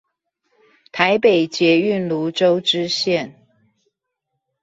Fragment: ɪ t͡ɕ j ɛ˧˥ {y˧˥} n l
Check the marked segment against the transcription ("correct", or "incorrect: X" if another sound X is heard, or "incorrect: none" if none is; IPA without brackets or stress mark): incorrect: y˥˨